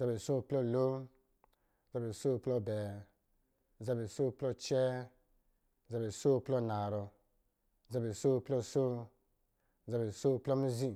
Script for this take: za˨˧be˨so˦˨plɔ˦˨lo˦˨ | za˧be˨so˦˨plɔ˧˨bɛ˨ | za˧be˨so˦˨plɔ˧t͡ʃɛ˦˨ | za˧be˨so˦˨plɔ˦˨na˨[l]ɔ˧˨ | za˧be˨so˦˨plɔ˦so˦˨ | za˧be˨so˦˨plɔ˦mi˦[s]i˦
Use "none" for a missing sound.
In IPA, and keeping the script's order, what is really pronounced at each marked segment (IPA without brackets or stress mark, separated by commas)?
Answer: ɾ, z